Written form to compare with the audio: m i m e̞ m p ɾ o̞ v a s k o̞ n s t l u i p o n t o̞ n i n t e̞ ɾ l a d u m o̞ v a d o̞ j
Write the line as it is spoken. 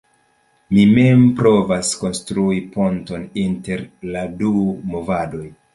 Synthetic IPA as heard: m i m e̞ m p ɾ o̞ v a s k o̞ n s t ɾ u i p o n t o̞ n i n t e̞ ɾ l a d u m o̞ v a d o̞ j